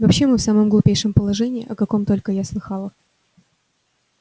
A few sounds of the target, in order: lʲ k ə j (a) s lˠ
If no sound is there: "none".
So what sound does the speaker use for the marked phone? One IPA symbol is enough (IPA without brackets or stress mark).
a